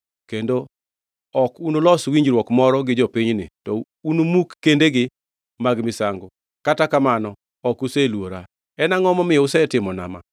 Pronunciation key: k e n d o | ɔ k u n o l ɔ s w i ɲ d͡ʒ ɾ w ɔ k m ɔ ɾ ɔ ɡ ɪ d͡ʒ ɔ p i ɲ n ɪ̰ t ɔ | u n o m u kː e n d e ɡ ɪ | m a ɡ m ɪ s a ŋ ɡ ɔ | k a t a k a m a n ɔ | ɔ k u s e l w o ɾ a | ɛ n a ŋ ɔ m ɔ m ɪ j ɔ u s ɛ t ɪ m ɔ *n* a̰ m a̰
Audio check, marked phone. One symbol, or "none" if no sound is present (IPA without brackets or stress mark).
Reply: n